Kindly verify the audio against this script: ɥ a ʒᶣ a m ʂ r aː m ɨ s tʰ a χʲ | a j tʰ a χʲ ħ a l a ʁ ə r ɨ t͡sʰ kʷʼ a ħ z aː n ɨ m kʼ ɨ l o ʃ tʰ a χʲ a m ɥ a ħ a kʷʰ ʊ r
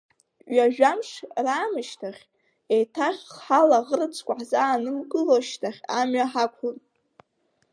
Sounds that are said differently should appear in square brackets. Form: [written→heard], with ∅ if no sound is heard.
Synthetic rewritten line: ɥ a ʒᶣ a m ʂ r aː m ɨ [s→ʃ] tʰ a χʲ | [a→e] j tʰ a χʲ ħ a l a ʁ ə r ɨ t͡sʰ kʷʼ a ħ z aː n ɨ m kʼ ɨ l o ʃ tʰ a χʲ a m ɥ a ħ a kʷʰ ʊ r